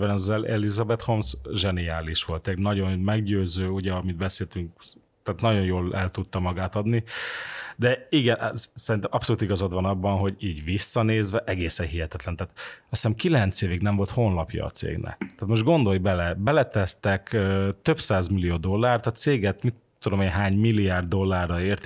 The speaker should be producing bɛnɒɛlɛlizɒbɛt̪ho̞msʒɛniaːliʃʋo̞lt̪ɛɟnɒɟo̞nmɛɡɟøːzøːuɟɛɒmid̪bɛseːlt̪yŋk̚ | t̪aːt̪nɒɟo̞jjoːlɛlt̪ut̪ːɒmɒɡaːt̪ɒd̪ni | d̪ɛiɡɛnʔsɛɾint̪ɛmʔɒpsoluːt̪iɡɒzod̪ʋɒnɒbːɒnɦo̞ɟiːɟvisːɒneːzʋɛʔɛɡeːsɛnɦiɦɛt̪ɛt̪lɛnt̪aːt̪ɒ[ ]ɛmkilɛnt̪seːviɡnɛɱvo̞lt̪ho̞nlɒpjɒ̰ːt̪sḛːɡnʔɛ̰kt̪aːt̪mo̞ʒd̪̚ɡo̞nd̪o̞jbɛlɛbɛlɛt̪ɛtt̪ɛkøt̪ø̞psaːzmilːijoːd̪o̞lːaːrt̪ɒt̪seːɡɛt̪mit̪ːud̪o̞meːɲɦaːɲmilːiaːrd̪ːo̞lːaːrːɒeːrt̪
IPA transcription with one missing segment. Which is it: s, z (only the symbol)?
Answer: s